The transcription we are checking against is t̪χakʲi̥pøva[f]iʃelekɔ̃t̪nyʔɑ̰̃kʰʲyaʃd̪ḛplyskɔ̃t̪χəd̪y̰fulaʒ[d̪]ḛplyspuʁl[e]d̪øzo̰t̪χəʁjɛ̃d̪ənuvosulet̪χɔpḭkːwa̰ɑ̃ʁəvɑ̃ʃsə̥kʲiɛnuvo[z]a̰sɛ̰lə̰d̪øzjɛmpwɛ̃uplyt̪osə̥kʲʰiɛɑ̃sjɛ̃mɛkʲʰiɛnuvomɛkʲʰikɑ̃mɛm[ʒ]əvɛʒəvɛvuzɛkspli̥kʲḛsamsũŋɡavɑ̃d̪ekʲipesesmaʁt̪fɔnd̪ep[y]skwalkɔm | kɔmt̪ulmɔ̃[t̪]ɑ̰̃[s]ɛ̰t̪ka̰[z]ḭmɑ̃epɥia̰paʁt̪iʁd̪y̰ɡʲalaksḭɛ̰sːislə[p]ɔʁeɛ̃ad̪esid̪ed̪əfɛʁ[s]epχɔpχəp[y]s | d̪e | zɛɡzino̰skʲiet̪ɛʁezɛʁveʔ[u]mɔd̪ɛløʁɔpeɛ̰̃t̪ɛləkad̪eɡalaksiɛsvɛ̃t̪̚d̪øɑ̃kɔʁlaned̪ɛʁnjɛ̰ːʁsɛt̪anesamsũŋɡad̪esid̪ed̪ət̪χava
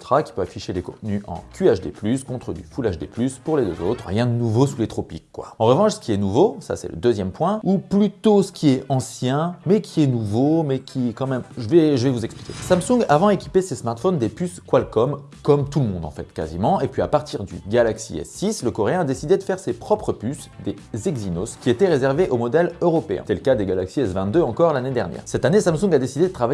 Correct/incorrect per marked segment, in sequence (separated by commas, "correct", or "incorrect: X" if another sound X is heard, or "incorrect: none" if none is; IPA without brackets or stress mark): correct, correct, correct, incorrect: s, correct, correct, incorrect: d̪, incorrect: f, correct, incorrect: k, correct, correct, incorrect: o